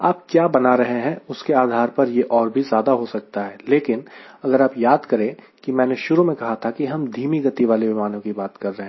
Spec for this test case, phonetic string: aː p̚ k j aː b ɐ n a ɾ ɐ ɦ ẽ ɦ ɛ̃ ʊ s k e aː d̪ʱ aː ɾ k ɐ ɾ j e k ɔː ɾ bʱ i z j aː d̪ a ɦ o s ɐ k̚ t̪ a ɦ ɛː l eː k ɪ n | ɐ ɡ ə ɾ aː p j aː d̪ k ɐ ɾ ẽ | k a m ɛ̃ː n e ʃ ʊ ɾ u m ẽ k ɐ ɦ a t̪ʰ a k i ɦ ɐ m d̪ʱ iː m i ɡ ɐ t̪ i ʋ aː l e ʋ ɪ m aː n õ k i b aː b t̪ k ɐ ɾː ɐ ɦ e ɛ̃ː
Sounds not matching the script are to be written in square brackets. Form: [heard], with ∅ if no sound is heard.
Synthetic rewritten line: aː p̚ k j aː b ɐ n a ɾ ɐ ɦ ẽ ɦ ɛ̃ ʊ s k e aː d̪ʱ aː ɾ [p] ɐ ɾ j e [ʔ] ɔː ɾ bʱ i z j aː d̪ a ɦ o s ɐ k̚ t̪ a ɦ ɛː l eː k ɪ n | ɐ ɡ ə ɾ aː p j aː d̪ k ɐ ɾ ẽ | k [i] m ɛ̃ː n e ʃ ʊ ɾ u m ẽ k ɐ ɦ a t̪ʰ a k i ɦ ɐ m d̪ʱ iː m i ɡ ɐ t̪ i ʋ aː l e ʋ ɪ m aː n õ k i b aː [∅] t̪ k ɐ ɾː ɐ ɦ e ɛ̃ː